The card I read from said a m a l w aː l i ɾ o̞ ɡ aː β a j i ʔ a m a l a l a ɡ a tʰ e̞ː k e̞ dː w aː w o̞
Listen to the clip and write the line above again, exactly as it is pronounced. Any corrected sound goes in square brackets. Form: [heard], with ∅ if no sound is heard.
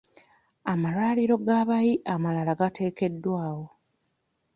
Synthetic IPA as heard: a m a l w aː l i ɾ o̞ ɡ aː β a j i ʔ a m a l a l a ɡ a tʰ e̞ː k e̞ dː w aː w o̞